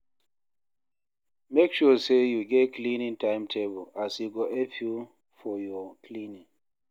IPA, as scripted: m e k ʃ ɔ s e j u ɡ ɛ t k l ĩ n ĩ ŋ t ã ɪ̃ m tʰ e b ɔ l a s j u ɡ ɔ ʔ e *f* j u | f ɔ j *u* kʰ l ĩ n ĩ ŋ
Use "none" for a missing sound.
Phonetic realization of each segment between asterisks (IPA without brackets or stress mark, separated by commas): f, ɔ